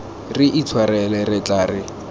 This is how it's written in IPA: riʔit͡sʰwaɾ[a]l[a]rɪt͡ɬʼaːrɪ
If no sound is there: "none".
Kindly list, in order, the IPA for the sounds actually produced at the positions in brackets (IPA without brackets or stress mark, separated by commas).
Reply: ɛ, ɛ